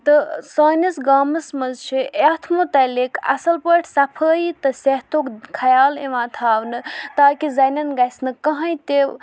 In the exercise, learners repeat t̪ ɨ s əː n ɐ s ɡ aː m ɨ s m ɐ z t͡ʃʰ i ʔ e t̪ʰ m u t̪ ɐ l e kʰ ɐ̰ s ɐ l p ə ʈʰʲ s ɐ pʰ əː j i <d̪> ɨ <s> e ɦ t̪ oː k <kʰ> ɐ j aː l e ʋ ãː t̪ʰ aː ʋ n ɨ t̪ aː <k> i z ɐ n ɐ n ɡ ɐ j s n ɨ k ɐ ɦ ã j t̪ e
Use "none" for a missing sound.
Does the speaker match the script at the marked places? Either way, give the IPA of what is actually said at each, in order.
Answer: t̪, s, kʰ, k

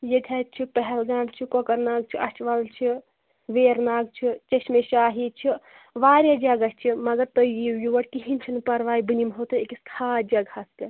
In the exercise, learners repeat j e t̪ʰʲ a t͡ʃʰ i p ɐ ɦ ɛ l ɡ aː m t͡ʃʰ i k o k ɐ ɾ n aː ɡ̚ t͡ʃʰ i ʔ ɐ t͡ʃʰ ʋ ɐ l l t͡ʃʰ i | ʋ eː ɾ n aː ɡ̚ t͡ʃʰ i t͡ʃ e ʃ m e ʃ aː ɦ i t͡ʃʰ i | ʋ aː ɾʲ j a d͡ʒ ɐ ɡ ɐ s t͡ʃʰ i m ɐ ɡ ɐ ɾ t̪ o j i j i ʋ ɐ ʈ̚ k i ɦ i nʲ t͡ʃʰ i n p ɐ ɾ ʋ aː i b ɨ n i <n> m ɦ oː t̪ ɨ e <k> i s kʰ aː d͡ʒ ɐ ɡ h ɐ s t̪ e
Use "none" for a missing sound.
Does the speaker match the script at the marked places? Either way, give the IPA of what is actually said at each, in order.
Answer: none, k

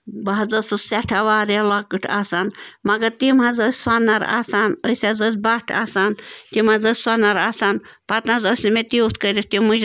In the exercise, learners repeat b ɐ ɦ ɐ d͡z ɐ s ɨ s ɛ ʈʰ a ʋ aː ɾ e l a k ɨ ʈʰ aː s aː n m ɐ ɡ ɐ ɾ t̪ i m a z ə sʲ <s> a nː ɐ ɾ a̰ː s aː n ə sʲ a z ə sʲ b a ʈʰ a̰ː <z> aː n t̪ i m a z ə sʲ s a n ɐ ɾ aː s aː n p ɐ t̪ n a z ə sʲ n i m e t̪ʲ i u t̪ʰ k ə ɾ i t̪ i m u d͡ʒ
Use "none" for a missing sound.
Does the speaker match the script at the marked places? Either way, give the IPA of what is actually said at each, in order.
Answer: s, s

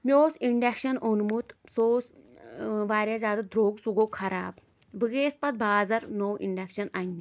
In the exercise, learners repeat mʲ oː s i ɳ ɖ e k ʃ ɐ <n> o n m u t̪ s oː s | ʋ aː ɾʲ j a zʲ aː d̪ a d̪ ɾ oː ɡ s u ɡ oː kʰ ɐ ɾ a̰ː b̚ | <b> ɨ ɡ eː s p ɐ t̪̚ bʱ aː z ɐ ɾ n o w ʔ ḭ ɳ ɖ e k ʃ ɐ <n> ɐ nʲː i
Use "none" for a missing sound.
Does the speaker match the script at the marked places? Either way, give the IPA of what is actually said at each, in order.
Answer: n, b, n

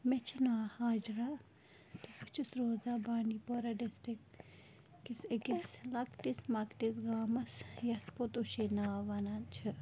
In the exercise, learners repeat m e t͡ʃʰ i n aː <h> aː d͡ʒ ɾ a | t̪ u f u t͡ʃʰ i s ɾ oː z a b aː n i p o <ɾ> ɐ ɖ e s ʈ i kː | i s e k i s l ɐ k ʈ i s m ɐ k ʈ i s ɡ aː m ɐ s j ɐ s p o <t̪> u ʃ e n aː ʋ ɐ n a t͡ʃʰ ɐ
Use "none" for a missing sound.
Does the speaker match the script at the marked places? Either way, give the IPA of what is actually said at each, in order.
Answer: h, ɾ, t̪

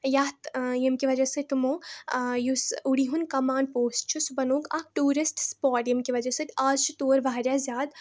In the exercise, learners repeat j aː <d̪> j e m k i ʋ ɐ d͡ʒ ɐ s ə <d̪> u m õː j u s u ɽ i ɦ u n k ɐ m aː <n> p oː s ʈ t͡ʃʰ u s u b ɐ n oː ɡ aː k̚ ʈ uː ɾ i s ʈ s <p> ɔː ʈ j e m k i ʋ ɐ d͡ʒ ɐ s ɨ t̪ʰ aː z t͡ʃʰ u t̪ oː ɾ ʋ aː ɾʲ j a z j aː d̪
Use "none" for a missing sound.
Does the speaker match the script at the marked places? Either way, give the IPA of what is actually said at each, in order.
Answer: t̪, t̪, n, p

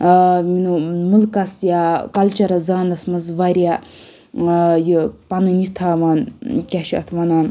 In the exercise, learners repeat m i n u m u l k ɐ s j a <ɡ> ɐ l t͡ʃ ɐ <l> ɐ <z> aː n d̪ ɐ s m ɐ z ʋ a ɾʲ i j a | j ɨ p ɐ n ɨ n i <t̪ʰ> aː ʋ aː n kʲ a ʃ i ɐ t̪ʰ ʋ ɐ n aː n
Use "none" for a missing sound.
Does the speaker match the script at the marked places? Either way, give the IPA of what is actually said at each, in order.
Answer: k, ɾ, z, t̪ʰ

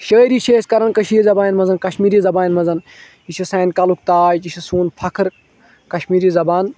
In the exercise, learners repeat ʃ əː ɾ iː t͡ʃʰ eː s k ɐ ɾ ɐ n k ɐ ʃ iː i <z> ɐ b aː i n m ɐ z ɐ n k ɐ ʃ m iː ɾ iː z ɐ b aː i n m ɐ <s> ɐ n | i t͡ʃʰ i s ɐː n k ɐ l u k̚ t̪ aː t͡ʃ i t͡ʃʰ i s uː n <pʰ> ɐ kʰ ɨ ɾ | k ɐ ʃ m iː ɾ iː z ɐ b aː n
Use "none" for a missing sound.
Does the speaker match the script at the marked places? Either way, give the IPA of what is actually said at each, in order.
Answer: z, z, pʰ

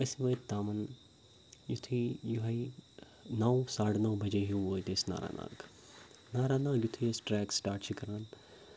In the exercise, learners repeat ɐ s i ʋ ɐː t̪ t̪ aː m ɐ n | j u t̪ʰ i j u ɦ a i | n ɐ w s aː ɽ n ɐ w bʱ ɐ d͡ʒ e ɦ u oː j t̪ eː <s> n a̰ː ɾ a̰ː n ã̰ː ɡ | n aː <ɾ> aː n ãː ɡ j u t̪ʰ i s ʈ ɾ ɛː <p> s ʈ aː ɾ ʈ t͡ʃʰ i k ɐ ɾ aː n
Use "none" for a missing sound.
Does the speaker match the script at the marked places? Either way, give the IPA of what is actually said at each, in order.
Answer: s, ɾ, k

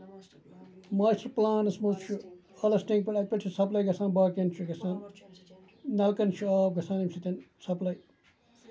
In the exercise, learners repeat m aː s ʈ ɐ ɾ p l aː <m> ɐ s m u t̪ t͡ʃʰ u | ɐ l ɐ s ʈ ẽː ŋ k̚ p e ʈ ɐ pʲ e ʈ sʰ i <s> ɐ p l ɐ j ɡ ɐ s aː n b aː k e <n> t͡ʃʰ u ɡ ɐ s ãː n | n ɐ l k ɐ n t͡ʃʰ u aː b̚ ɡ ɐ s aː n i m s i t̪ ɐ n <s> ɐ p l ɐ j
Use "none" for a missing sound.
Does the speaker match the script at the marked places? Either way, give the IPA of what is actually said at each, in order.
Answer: n, s, n, s

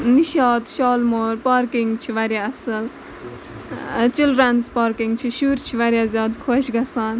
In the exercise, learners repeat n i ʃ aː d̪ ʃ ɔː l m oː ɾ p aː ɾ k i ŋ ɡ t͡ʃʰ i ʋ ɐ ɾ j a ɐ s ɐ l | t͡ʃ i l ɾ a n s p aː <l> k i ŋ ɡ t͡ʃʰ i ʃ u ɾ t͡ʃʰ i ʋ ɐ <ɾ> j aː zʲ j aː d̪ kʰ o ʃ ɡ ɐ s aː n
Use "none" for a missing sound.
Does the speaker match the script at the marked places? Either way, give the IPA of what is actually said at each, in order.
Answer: ɾ, ɾ

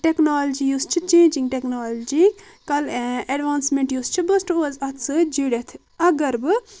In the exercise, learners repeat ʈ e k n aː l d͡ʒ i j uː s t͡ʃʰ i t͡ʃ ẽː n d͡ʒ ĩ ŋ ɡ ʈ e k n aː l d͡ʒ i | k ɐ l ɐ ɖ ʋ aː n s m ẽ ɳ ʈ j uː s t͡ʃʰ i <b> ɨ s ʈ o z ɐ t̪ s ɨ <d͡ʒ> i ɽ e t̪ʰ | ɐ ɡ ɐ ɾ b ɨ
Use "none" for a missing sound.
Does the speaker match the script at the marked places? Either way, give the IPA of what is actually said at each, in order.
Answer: b, d͡ʒ

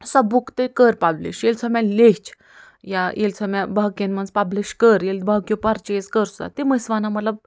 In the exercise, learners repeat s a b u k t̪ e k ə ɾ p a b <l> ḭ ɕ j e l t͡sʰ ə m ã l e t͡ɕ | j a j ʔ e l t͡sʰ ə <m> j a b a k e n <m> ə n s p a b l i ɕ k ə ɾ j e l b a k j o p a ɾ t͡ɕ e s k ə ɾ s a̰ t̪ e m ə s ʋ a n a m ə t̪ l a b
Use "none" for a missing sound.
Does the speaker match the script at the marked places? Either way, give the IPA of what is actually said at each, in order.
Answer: l, m, m

